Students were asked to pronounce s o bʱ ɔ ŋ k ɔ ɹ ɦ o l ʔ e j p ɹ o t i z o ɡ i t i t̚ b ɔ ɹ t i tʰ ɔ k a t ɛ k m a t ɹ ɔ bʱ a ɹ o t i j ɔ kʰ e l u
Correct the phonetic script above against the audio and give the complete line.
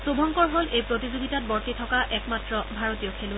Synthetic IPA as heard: s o bʱ ɔ ŋ k ɔ ɹ ɦ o l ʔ e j p ɹ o t i z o ɡ i t a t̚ b ɔ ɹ t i tʰ ɔ k a ʔ ɛ k m a t ɹ ɔ bʱ a ɹ o t i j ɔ kʰ e l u